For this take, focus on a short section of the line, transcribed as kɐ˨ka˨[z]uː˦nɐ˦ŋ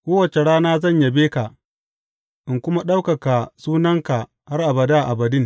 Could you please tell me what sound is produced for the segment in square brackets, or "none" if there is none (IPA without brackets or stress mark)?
s